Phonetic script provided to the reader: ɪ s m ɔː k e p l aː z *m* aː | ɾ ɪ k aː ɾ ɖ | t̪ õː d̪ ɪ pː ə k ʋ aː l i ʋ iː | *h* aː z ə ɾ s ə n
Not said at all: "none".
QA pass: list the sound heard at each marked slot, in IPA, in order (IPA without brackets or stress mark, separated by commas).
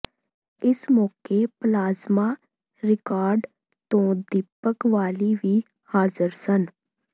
m, h